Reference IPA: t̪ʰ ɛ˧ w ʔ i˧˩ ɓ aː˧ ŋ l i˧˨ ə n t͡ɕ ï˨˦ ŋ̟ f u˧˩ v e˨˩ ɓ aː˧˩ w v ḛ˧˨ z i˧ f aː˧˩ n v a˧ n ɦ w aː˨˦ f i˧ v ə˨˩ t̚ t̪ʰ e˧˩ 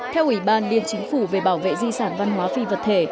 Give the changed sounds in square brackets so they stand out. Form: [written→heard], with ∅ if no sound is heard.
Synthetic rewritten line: t̪ʰ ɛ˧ w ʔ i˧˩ ɓ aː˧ [ŋ→n] l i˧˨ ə n t͡ɕ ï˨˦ ŋ̟ f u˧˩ v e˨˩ ɓ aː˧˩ w v ḛ˧˨ z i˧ [f→s] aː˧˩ n v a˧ n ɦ w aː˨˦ f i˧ v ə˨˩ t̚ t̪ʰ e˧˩